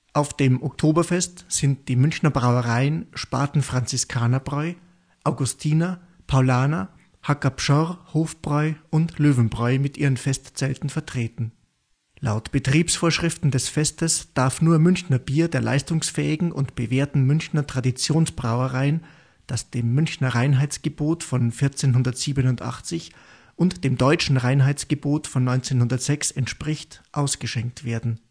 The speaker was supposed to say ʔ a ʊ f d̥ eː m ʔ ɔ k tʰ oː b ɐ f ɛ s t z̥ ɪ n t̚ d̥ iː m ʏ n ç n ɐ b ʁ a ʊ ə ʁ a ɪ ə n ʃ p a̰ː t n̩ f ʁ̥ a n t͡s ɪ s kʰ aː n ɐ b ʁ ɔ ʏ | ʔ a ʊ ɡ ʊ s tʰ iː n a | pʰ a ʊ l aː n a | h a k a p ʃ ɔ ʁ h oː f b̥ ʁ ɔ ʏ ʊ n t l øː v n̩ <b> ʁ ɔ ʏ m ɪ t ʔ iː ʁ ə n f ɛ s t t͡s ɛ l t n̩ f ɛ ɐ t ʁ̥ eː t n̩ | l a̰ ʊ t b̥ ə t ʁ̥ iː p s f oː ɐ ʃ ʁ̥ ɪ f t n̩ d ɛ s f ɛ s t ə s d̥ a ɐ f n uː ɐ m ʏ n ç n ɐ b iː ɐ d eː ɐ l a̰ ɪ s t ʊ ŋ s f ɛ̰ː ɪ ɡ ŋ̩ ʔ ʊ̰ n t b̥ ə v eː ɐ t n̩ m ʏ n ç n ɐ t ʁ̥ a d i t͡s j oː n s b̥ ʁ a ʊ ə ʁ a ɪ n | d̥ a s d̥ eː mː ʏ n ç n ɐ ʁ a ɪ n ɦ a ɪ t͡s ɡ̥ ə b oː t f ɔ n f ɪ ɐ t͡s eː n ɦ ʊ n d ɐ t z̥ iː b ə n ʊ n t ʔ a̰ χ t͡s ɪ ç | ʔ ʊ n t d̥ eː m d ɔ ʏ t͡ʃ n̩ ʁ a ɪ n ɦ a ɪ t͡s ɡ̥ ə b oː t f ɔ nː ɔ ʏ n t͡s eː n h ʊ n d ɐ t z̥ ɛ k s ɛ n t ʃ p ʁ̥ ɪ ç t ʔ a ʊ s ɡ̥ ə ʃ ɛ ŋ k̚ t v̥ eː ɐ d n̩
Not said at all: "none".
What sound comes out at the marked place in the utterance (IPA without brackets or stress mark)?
b